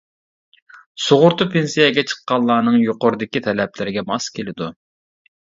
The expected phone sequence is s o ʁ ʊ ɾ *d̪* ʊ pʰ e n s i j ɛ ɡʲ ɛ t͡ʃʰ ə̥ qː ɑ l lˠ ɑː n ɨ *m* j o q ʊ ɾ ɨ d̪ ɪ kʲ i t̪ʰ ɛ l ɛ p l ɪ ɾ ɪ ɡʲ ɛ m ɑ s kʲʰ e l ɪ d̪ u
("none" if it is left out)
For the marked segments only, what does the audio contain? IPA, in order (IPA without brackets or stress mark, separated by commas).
t̪, ŋ